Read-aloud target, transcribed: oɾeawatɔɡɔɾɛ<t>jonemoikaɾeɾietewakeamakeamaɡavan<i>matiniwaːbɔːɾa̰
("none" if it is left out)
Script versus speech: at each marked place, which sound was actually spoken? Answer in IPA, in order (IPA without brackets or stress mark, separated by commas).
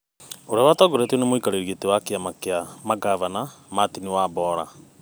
t, a